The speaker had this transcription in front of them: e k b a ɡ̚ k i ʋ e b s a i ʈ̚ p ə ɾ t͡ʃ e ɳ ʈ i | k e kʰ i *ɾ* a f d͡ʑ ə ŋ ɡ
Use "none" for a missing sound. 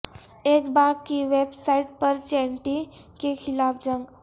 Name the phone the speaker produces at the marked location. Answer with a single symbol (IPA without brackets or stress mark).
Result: l